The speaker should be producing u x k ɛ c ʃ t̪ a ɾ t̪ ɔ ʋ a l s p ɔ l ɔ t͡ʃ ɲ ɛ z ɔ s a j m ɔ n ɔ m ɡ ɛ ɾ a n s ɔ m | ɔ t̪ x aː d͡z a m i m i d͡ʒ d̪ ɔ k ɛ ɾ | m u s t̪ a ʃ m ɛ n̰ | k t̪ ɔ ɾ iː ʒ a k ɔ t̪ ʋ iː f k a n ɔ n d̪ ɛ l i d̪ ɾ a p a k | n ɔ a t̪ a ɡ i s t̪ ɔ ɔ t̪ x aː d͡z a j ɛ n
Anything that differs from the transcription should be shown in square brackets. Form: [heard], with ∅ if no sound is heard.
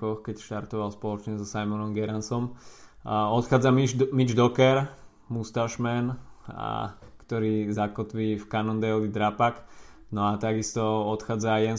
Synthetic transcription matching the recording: [ɔ] x k ɛ c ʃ t̪ a ɾ t̪ ɔ ʋ a l s p ɔ l ɔ t͡ʃ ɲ ɛ z ɔ s a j m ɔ n ɔ m ɡ ɛ ɾ a n s ɔ m | ɔ t̪ x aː d͡z a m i m i d͡ʒ d̪ ɔ k ɛ ɾ | m u s t̪ a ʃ m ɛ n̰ | k t̪ ɔ ɾ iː [z] a k ɔ t̪ ʋ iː f k a n ɔ n d̪ ɛ l i d̪ ɾ a p a k | n ɔ a t̪ a ɡ i s t̪ ɔ ɔ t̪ x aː d͡z a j ɛ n